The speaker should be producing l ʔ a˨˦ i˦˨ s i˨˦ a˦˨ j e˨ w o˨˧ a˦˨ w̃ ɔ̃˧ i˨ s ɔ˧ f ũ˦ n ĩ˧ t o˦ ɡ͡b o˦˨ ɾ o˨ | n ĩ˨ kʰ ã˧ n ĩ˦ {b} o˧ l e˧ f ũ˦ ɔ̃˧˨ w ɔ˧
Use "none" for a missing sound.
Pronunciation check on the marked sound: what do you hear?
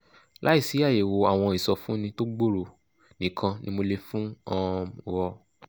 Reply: m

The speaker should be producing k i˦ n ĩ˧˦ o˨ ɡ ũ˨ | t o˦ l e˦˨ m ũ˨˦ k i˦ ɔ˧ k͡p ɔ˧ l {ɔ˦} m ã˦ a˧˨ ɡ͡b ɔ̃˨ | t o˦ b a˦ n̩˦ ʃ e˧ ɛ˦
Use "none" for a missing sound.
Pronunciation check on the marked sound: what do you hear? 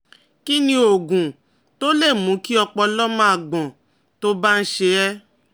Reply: ɔ˦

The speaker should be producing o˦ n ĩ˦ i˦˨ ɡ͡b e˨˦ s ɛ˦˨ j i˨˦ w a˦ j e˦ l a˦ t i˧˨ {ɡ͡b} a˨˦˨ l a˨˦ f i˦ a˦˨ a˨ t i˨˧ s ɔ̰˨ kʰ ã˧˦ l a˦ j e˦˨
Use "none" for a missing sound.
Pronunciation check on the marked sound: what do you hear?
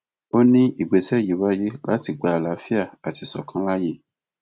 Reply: ɡ͡b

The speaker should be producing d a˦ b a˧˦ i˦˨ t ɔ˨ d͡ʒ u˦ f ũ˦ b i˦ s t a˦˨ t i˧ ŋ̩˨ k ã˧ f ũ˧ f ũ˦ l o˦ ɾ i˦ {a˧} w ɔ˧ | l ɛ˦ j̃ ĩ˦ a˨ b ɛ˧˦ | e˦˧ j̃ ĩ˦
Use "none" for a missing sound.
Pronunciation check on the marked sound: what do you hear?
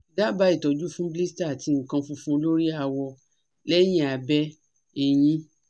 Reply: a˧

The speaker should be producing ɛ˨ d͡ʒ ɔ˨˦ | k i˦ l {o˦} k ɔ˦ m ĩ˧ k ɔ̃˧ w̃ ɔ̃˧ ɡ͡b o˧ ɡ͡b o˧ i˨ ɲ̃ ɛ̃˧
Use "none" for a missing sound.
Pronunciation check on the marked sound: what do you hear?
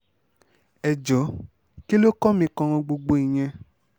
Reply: o˦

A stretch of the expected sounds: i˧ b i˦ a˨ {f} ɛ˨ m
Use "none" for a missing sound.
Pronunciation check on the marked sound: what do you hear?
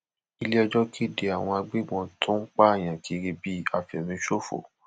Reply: f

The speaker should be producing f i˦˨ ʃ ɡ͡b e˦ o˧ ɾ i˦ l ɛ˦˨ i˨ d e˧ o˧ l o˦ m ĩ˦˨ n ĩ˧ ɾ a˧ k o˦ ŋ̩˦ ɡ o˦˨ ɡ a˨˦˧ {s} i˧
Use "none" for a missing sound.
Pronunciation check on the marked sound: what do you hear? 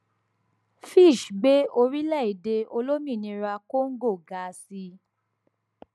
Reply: s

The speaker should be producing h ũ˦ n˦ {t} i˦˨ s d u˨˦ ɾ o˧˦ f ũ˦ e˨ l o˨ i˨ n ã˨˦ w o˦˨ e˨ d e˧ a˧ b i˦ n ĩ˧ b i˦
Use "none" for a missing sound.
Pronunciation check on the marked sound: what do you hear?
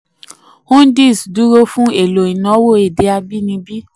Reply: d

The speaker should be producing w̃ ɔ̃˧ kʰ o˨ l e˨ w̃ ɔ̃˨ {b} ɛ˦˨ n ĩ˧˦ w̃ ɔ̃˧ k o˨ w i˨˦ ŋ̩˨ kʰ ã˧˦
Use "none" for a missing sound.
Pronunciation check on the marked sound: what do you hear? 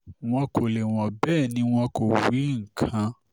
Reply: b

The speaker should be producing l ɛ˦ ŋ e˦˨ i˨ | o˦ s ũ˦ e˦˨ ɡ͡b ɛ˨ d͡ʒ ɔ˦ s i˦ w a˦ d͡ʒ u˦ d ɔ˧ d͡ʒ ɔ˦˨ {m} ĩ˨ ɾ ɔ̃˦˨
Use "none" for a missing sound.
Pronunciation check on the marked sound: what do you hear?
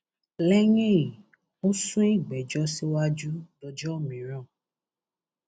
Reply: m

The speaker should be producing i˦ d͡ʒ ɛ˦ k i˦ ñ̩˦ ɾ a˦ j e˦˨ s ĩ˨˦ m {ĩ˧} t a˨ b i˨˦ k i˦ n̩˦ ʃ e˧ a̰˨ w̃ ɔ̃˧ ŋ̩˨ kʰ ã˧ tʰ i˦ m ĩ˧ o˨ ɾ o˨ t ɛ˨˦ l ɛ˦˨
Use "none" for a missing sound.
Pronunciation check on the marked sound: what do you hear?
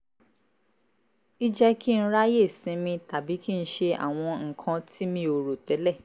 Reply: ĩ˧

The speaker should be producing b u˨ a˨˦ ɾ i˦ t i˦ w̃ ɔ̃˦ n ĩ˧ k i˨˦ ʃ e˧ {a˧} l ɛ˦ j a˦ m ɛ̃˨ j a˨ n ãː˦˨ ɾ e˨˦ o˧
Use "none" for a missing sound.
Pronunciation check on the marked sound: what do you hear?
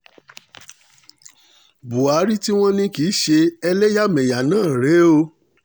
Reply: ɛ˧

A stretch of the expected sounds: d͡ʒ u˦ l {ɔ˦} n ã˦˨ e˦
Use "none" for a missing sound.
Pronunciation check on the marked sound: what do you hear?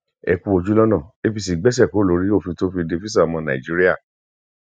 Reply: ɔ˦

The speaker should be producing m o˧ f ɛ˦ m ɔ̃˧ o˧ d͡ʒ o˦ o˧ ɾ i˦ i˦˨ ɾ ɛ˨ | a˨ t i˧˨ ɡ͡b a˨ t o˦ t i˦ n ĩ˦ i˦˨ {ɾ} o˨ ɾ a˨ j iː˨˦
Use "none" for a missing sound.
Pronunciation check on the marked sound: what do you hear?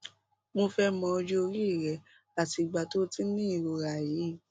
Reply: ɾ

